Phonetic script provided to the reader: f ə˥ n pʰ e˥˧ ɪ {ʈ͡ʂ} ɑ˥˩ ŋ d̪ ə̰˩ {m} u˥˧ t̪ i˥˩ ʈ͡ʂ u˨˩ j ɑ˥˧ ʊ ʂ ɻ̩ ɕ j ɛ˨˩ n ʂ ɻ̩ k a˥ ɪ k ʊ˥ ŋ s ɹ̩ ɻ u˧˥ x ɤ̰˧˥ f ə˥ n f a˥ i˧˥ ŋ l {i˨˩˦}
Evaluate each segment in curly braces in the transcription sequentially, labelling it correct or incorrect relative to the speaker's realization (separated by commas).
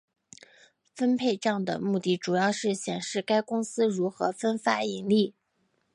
correct, correct, incorrect